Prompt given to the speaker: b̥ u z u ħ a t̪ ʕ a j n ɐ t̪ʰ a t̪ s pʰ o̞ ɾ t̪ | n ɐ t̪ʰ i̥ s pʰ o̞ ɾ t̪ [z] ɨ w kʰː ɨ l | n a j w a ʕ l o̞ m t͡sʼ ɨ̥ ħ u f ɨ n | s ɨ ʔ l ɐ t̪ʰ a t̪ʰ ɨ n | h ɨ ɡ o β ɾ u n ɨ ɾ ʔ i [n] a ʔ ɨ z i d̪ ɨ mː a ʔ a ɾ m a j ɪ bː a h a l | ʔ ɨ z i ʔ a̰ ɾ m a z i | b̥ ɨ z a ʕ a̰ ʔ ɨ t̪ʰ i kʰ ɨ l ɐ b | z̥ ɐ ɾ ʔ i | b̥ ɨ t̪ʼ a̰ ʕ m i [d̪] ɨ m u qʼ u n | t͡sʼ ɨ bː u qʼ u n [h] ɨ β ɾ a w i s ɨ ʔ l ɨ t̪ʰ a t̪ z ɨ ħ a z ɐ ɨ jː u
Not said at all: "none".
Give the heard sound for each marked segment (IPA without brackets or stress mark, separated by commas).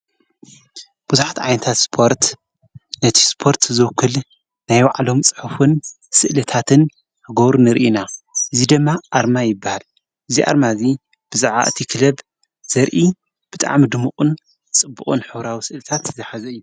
z, n, d̪, ħ